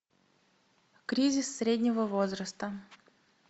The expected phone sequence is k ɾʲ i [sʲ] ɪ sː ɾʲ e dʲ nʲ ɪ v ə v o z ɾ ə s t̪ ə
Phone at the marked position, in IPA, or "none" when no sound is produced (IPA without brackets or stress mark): zʲ